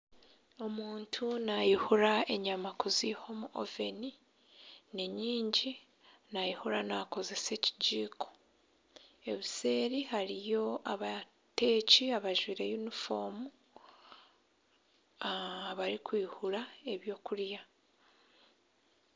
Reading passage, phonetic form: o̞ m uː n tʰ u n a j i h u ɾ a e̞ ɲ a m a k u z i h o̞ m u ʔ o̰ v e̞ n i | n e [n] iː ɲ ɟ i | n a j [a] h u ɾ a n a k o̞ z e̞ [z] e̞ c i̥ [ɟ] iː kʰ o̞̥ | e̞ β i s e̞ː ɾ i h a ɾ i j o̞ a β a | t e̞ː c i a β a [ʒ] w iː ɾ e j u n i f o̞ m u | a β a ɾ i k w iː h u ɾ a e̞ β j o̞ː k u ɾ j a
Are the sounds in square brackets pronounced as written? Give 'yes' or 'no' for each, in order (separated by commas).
no, no, no, yes, yes